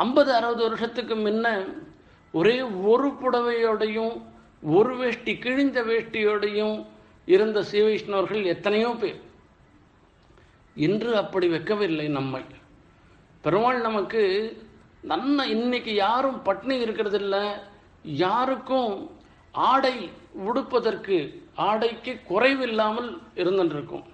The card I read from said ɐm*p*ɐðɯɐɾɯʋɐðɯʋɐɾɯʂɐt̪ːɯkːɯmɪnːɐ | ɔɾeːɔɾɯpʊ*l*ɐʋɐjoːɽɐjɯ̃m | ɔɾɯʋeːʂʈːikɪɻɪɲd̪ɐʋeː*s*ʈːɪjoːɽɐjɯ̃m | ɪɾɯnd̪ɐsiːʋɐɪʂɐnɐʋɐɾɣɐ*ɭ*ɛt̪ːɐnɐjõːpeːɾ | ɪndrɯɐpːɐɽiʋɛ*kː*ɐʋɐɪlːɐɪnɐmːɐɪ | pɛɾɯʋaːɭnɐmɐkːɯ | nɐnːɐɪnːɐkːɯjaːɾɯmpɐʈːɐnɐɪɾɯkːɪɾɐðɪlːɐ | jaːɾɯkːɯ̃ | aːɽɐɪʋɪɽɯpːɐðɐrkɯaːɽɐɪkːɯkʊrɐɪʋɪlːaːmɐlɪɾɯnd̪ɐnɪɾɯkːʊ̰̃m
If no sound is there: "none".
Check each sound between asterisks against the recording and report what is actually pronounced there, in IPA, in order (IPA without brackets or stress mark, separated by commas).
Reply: b, ɽ, ʂ, ɭ, kː